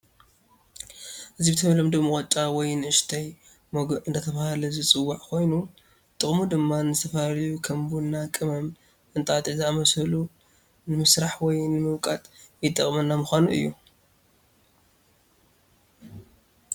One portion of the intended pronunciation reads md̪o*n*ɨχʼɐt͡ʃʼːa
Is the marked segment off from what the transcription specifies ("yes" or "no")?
yes